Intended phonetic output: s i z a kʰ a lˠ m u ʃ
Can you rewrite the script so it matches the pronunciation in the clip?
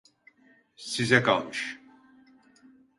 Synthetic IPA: s i z ɛ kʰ a lˠ m ɯ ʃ